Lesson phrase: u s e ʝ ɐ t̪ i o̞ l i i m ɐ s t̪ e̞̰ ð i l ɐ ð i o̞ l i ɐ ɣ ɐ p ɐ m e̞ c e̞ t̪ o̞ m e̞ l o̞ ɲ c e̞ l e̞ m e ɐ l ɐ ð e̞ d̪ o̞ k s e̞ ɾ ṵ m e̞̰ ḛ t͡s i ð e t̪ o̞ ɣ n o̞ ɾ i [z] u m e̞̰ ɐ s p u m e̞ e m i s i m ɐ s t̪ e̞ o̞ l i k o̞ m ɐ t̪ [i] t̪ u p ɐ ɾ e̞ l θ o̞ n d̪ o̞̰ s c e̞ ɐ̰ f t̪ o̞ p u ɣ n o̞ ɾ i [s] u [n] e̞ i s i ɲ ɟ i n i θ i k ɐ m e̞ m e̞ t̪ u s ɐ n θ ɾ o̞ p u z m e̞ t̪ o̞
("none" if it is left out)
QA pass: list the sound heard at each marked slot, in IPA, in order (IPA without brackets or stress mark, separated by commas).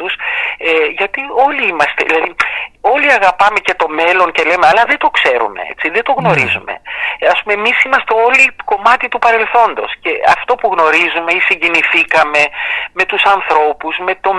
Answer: z, i, z, m